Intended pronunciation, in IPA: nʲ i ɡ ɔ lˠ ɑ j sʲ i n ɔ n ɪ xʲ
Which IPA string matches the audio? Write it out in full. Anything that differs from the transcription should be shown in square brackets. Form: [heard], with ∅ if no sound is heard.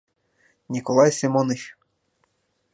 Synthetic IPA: nʲ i [k] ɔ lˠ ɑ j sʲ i [m] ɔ n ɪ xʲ